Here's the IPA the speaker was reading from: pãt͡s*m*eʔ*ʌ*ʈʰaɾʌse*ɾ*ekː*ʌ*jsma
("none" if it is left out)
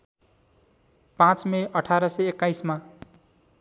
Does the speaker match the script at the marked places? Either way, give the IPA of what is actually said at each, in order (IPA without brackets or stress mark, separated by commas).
m, ʌ, none, a